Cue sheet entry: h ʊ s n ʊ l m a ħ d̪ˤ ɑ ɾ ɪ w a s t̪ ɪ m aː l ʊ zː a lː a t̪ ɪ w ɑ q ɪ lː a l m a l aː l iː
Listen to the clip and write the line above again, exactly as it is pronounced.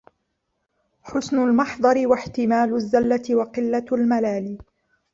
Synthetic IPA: ħ ʊ s n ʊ l m ɑ ħ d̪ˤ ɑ ɾ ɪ w a ħ t̪ ɪ m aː l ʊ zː a lː a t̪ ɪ w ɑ q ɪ lː a l m a l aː l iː